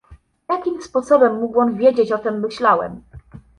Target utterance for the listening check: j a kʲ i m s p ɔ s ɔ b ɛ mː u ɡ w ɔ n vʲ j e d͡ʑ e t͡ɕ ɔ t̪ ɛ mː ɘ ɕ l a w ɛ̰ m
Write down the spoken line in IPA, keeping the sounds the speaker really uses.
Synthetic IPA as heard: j a kʲ i m s p ɔ s ɔ b ɛ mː u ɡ w ɔ n vʲ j e d͡ʑ e t͡ɕ ɔ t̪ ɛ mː ɘ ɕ l a w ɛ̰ m